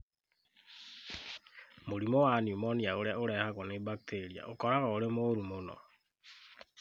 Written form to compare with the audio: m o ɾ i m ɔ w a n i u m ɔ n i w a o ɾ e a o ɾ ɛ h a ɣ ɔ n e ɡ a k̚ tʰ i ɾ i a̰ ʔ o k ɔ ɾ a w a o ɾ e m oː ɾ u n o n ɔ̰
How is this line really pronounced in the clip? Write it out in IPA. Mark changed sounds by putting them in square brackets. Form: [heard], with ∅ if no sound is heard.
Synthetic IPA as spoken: m o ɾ i m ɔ w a n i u m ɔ n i [∅] a o ɾ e a o ɾ ɛ h a ɣ ɔ n e [b] a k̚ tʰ [e] ɾ i a̰ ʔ o k ɔ ɾ a [ɣ] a o ɾ e m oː ɾ u [m] o n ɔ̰